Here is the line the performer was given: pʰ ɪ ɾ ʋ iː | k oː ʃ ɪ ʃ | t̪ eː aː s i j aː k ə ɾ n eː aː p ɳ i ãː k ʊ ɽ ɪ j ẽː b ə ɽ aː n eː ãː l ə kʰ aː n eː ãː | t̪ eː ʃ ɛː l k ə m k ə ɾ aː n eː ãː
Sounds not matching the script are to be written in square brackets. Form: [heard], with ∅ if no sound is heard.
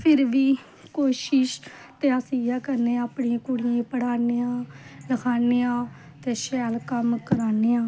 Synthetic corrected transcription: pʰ ɪ ɾ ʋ iː | k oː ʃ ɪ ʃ | t̪ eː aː s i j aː k ə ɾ n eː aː p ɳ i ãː k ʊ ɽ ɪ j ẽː [p] ə ɽ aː n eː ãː l ə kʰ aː n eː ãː | t̪ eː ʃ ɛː l k ə m k ə ɾ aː n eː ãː